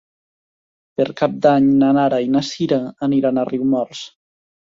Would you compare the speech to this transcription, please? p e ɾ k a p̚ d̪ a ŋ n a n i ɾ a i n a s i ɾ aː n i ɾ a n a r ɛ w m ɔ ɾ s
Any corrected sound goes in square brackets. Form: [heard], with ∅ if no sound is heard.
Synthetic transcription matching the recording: p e ɾ k a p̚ d̪ a [ɲ] n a n [a] ɾ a i n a s i ɾ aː n i ɾ a n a r [i] w m ɔ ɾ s